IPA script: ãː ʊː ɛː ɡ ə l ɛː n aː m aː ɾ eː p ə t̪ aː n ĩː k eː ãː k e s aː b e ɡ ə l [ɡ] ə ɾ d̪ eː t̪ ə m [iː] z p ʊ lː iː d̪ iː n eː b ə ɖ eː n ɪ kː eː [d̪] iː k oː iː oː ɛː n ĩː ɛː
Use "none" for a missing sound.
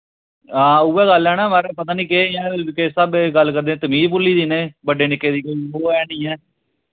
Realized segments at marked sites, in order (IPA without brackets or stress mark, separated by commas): k, iː, d̪